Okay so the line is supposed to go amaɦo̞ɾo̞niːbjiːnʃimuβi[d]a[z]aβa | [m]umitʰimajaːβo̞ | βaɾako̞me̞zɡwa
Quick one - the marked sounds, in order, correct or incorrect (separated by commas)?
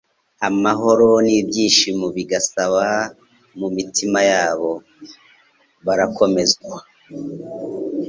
incorrect, incorrect, correct